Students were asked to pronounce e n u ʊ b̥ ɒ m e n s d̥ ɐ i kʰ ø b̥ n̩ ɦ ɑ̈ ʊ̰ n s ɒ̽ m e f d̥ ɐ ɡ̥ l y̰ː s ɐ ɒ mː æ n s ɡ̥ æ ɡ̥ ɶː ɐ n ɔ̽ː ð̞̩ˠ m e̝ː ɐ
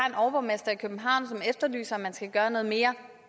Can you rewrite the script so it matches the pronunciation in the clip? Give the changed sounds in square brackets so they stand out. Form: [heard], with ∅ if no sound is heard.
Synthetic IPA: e n [ɒ] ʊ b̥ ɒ m e [∅] s d̥ ɐ i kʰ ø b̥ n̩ ɦ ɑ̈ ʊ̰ n s ɒ̽ m e f d̥ ɐ [∅] l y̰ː s ɐ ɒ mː æ n s ɡ̥ æ ɡ̥ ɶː ɐ n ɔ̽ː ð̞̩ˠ m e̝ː ɐ